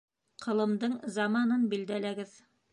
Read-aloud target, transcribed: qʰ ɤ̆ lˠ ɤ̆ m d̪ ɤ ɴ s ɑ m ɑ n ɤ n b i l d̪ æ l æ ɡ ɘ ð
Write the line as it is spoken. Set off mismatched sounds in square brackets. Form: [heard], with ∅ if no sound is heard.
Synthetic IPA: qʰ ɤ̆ lˠ ɤ̆ m d̪ ɤ ɴ [z] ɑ m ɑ n ɤ n b i l d̪ æ l æ ɡ ɘ ð